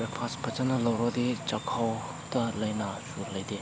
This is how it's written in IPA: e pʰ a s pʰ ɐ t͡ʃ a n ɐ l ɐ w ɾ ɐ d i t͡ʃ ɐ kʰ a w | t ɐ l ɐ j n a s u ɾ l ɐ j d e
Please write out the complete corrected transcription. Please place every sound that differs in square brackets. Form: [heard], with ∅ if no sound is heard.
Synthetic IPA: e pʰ a s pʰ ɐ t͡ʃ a n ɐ l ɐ w ɾ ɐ d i t͡ʃ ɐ kʰ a w | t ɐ l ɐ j n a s u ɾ l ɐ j d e